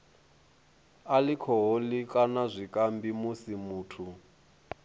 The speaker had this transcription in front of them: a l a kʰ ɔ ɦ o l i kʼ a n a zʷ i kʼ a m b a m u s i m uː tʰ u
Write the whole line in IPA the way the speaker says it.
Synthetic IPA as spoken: a l i kʰ ɔ ɦ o l i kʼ a n a zʷ i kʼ a m b i m u s i m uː tʰ u